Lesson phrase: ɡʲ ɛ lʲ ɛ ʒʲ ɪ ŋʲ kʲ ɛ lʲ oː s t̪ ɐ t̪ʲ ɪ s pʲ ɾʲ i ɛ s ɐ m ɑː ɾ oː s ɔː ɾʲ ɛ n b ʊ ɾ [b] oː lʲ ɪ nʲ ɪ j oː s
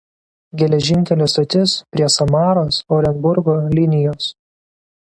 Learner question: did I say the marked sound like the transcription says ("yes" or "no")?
no